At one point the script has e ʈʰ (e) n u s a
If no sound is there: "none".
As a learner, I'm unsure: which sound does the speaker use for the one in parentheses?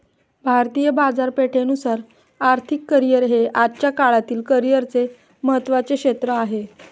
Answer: e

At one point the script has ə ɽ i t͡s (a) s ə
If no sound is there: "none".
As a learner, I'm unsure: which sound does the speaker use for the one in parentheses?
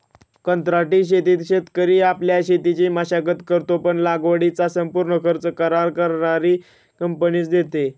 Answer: a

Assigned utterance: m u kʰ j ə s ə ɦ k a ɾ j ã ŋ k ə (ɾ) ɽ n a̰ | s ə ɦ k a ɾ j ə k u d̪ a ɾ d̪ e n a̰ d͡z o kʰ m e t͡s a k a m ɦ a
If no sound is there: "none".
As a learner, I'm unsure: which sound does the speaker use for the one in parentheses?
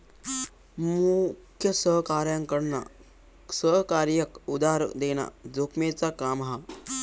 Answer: none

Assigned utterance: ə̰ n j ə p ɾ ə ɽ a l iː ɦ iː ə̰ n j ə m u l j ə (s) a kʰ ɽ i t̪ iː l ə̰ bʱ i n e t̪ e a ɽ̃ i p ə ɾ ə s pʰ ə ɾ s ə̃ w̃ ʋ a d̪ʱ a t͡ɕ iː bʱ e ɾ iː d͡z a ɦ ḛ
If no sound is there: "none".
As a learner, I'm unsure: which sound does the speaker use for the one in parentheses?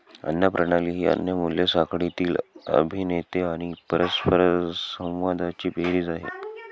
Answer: s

